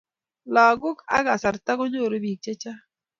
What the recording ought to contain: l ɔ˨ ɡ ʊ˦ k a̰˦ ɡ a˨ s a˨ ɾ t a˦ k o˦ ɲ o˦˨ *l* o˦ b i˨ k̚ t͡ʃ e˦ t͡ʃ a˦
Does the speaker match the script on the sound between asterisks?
no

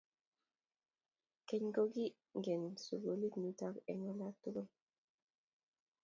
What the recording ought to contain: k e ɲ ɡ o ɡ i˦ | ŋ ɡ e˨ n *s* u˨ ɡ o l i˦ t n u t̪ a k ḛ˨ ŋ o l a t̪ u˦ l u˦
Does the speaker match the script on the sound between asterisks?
yes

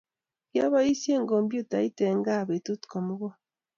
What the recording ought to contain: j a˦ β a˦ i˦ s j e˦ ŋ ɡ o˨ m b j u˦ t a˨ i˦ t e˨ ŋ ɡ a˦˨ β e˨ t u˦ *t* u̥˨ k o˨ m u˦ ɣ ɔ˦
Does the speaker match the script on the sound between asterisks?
yes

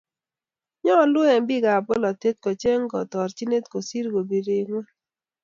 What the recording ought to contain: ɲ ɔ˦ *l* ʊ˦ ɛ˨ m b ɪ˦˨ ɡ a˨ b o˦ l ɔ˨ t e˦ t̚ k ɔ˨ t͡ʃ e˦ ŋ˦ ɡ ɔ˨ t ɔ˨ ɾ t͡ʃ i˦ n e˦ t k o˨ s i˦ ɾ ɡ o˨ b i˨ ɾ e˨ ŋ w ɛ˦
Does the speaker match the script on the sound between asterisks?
yes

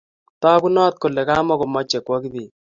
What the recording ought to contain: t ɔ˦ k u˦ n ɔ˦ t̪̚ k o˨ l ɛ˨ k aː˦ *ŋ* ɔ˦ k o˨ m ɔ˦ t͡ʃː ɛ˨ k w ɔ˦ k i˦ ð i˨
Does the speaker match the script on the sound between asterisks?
no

